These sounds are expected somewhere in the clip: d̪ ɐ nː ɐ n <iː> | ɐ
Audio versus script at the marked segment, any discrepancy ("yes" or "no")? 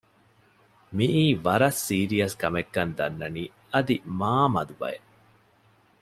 no